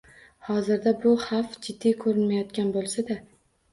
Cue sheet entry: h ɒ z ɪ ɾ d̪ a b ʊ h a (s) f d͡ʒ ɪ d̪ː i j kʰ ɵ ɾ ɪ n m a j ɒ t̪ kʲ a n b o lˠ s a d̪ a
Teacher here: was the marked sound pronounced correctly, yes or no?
no